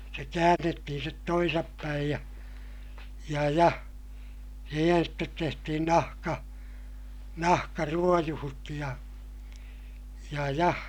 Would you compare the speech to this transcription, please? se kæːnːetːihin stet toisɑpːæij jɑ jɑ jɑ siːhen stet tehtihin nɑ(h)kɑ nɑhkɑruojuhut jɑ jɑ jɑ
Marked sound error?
no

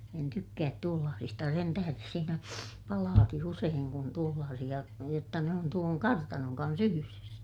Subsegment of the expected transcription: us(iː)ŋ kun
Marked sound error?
yes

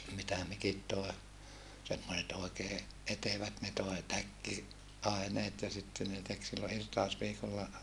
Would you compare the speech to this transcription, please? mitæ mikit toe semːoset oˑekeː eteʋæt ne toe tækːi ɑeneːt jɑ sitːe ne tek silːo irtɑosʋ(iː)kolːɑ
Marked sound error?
no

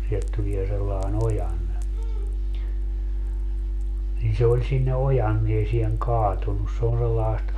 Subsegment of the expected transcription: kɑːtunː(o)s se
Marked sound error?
yes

